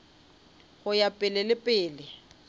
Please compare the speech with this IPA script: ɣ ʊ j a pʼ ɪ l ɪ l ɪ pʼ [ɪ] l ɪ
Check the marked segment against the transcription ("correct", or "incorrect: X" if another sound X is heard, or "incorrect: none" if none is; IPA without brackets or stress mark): incorrect: ɪː